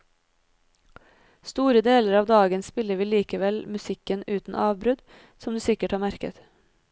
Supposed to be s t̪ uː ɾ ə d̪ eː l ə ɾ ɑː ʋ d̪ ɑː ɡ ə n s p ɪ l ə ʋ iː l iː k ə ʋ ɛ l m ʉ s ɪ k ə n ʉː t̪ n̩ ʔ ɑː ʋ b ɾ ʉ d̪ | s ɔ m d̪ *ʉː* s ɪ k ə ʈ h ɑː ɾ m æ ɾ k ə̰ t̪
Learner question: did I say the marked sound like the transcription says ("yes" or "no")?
yes